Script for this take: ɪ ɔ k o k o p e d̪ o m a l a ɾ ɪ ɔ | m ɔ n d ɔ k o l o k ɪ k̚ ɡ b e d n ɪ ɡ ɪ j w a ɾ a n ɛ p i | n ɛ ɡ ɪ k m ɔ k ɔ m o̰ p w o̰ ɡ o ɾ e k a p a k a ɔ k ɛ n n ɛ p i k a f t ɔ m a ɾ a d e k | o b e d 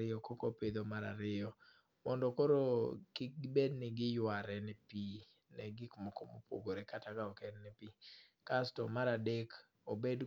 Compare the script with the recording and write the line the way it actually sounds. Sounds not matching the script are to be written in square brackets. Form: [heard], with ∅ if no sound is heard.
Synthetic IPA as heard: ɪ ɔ k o k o p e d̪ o m a [ɾ] a ɾ ɪ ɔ | m ɔ n d ɔ k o [ɾ] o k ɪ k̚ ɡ b e d n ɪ ɡ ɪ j w a ɾ [ɛ] n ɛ p i | n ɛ ɡ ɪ k m ɔ k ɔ m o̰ p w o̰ ɡ o ɾ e k a [t] a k a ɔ k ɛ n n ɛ p i k a [s] t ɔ m a ɾ a d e k | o b e d